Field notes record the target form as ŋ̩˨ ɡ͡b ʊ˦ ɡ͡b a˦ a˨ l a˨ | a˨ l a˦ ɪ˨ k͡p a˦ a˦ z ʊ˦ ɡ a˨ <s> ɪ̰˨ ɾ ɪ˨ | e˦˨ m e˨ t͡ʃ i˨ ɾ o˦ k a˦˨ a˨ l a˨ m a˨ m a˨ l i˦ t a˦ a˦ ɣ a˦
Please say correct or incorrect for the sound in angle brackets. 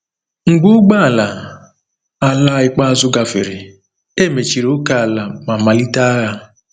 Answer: incorrect: f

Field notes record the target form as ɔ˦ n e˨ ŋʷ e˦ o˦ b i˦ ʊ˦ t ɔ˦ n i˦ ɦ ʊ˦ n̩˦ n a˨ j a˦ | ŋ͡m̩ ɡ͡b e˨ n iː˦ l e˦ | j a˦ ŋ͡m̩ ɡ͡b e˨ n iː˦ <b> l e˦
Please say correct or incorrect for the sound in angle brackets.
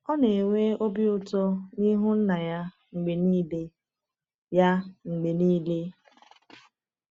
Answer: incorrect: none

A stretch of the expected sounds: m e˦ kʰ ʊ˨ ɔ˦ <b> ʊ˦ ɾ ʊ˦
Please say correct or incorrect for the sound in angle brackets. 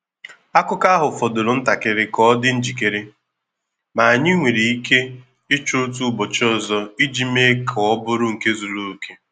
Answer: correct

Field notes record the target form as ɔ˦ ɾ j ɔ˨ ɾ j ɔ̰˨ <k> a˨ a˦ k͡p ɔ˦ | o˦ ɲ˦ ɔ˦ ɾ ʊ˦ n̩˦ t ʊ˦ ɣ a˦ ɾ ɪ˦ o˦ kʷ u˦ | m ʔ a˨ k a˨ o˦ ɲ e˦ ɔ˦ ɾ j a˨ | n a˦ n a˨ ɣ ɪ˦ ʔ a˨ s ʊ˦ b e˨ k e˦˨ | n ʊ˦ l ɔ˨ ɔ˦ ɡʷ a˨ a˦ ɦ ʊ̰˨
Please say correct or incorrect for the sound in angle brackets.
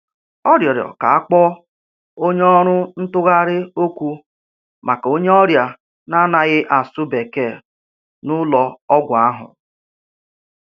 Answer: correct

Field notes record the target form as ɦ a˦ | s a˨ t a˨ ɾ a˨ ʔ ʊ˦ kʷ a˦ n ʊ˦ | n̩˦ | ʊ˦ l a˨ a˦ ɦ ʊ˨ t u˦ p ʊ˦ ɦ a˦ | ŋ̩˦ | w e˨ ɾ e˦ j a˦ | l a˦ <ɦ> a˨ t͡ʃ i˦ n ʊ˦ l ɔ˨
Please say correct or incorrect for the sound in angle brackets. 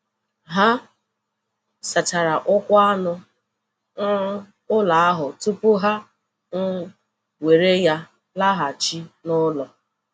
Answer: correct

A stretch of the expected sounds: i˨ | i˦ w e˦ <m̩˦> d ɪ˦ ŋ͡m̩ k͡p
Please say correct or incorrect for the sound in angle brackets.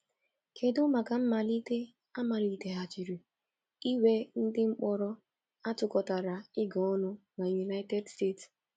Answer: incorrect: n̩˦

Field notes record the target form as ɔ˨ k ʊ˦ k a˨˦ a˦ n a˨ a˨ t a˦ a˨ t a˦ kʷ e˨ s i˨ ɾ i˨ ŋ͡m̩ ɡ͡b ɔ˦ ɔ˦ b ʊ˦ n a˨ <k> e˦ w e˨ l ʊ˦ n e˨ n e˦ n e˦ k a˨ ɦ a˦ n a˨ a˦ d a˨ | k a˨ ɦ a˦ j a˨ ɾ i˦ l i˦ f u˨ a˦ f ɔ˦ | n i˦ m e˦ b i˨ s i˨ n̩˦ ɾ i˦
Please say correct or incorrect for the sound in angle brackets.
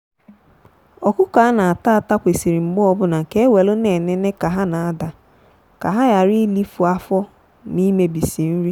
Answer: correct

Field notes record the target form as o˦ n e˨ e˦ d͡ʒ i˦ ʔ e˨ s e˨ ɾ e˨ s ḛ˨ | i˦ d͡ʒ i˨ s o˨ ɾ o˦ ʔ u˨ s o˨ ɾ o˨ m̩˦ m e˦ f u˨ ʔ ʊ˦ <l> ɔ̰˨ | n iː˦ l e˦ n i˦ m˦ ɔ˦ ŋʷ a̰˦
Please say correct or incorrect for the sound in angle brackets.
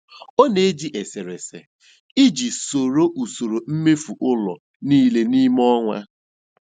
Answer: correct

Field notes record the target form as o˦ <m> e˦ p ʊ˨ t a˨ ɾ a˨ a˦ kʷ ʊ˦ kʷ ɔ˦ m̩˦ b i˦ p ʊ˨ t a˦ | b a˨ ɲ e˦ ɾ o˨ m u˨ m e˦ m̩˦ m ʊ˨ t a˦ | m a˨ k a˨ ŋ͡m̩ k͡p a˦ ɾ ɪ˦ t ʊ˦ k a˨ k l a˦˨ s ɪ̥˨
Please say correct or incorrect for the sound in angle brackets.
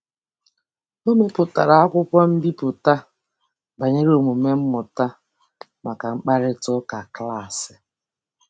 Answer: correct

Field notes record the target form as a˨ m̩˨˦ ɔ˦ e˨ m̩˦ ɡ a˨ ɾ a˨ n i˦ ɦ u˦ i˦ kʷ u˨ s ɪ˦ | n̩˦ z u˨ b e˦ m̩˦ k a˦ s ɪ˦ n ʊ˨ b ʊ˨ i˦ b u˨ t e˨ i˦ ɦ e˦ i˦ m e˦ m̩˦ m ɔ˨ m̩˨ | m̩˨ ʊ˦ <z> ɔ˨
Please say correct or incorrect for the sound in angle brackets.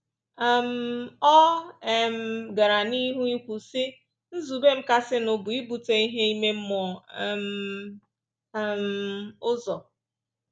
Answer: correct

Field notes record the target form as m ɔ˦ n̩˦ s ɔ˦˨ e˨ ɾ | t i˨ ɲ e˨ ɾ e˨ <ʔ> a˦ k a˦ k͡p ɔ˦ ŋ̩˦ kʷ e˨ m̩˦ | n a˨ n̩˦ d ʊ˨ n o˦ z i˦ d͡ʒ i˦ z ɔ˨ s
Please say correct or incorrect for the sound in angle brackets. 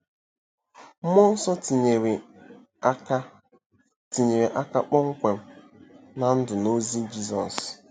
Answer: correct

